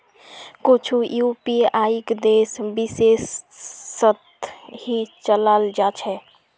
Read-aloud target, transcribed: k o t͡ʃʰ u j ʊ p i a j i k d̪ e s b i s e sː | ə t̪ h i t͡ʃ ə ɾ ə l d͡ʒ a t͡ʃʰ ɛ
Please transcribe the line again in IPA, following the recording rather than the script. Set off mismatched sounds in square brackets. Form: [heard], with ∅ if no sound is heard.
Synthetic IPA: k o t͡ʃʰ u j [u] p i a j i k d̪ e s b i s e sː | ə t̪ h i t͡ʃ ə [l] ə l d͡ʒ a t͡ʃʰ ɛ